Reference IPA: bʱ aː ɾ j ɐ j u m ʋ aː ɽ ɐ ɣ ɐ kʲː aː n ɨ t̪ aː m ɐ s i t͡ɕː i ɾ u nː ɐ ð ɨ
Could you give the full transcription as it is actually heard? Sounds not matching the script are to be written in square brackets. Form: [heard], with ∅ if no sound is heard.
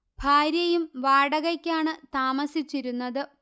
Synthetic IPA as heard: bʱ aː ɾ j ɐ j u m ʋ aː ɽ ɐ ɣ ɐ kʲː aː [ɳ] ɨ t̪ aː m ɐ s i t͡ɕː i ɾ u nː ɐ ð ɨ